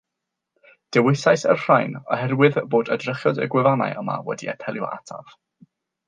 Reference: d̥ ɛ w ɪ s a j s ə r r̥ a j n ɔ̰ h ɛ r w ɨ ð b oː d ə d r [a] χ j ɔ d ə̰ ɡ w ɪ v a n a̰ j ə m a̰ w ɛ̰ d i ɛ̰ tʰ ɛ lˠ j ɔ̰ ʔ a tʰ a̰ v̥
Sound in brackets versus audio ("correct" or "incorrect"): incorrect